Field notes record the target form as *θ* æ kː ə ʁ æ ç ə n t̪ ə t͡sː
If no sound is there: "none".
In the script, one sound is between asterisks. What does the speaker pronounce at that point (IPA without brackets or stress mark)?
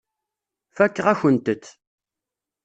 f